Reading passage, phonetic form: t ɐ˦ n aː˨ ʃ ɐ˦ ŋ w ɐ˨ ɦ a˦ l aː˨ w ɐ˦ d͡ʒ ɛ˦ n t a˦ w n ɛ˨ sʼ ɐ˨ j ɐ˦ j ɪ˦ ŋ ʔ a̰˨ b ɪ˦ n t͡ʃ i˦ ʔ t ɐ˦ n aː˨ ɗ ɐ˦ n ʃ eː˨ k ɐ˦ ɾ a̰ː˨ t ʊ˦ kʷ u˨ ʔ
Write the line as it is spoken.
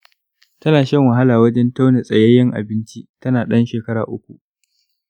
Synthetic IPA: t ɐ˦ n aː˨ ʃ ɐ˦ ŋ w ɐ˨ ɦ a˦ l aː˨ w ɐ˦ d͡ʒ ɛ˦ n t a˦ w n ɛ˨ sʼ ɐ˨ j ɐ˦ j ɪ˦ ŋ ʔ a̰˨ b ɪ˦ n t͡ʃ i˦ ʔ t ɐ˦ n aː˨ ɗ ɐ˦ n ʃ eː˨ k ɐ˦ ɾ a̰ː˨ ʔ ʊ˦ kʷ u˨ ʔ